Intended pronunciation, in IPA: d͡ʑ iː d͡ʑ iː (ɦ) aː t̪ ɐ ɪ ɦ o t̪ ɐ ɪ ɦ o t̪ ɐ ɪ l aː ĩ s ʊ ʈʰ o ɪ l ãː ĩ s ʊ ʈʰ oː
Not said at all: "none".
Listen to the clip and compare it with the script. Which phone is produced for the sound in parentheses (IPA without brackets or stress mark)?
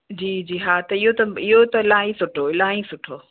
ɦ